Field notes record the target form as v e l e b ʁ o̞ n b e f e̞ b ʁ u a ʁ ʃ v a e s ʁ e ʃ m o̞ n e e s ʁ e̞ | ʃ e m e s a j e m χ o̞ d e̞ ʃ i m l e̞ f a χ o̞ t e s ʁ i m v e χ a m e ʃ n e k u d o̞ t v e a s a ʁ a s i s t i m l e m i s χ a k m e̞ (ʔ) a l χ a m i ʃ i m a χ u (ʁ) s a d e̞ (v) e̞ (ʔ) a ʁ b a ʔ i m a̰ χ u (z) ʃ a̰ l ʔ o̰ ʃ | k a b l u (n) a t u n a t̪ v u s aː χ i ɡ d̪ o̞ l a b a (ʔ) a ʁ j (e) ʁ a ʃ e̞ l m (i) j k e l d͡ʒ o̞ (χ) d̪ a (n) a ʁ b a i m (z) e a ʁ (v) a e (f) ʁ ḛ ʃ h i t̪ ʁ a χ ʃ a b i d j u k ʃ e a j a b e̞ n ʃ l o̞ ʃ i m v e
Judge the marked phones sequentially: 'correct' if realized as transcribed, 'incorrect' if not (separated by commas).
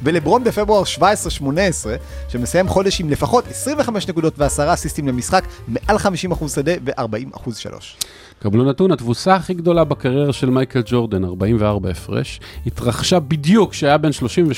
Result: correct, incorrect, correct, correct, correct, correct, incorrect, correct, incorrect, incorrect, correct, incorrect, incorrect, correct